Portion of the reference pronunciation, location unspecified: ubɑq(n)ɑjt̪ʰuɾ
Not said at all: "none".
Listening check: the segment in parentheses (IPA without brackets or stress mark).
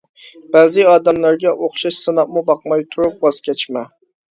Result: m